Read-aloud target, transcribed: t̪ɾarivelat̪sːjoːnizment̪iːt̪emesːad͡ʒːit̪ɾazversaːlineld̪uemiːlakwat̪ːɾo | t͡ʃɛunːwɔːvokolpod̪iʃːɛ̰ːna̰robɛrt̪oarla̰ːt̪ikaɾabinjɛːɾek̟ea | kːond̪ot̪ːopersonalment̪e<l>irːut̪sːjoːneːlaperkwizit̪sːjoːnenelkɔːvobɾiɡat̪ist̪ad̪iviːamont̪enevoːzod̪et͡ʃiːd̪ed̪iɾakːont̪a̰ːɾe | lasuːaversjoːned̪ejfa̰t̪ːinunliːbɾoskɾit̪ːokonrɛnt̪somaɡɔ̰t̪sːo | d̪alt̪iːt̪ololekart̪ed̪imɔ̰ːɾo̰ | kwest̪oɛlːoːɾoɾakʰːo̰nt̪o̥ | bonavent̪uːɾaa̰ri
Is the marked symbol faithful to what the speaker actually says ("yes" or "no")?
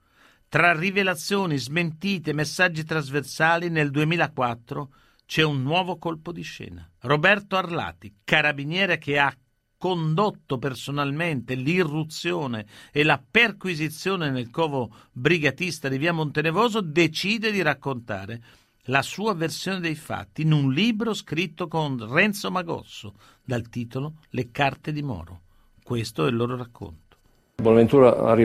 yes